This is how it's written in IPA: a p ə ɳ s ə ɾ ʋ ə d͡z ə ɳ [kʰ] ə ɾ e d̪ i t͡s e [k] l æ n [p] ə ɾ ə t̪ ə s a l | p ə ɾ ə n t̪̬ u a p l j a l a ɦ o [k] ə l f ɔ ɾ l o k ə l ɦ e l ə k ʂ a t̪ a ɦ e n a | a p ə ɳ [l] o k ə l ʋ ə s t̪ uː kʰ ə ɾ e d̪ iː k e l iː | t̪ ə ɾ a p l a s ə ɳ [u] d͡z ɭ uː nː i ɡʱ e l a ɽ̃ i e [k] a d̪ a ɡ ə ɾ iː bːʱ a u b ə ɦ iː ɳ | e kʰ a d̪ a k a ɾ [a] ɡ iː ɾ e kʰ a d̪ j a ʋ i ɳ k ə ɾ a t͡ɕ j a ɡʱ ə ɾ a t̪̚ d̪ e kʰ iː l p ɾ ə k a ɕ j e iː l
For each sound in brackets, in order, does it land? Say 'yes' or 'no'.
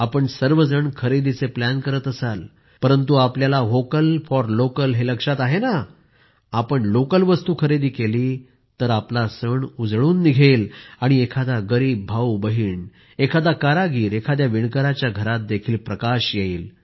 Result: yes, no, no, yes, yes, yes, no, yes

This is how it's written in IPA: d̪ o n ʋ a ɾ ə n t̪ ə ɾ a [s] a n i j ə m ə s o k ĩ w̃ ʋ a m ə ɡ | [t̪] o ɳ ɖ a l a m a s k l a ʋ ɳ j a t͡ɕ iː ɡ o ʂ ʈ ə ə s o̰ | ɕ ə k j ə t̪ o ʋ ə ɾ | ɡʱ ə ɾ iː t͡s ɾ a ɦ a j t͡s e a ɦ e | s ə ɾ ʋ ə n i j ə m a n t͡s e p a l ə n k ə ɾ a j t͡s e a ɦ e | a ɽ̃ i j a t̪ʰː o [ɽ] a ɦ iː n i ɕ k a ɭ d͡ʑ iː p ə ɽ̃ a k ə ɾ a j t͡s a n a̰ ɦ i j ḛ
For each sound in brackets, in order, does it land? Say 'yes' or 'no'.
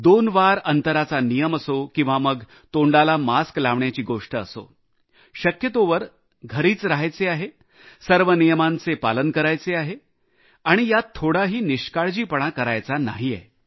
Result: no, yes, yes

